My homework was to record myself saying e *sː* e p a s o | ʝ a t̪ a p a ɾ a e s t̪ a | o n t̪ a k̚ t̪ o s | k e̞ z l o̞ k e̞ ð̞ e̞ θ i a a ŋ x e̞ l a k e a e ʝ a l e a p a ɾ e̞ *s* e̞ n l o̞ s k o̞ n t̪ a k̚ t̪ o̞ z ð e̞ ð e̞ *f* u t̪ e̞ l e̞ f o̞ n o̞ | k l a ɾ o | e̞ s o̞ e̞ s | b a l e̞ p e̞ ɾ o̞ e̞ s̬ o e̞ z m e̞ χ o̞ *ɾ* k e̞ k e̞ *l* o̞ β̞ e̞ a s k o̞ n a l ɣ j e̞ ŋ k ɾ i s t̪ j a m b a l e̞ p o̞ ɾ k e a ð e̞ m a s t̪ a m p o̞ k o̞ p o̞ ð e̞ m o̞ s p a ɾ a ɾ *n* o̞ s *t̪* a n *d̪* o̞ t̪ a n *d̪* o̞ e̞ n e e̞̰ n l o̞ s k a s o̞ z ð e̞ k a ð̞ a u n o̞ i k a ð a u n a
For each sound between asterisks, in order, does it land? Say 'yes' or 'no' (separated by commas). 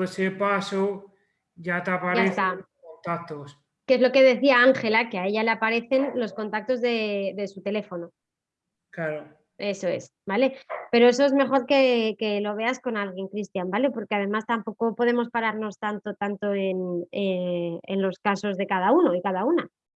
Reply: no, no, no, yes, yes, yes, yes, no, no